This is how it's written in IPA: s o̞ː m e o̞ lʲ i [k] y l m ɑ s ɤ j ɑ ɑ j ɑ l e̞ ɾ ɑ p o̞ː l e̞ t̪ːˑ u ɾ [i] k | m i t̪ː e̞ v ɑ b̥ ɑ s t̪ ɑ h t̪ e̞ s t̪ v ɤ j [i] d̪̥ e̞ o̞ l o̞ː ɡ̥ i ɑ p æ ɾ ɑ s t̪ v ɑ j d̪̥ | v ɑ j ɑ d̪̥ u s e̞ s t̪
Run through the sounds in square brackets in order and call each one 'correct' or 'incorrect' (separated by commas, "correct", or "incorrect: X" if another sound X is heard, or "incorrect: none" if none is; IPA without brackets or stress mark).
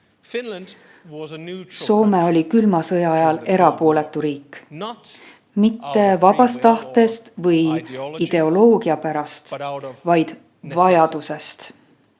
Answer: correct, incorrect: iː, correct